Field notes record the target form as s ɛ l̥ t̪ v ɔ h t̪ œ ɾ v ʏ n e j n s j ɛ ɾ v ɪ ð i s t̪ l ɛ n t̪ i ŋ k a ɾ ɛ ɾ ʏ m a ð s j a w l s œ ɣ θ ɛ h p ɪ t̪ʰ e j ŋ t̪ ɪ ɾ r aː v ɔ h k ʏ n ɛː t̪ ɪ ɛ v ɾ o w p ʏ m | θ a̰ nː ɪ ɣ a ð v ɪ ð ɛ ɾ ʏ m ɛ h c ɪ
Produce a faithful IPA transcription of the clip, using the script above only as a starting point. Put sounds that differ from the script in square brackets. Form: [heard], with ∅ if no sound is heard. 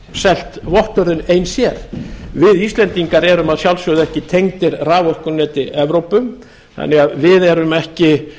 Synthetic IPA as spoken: s ɛ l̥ t̪ v ɔ h t̪ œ ɾ [ð] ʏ n e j n s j ɛ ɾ v ɪ ð i s t̪ l ɛ n t̪ i ŋ k a ɾ ɛ ɾ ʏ m a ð s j a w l s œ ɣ [ð] ɛ h [c] ɪ t̪ʰ e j ŋ t̪ ɪ ɾ r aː v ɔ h k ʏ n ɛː t̪ ɪ ɛ v ɾ o w p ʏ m | θ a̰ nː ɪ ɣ a ð v ɪ ð ɛ ɾ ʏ m ɛ h c ɪ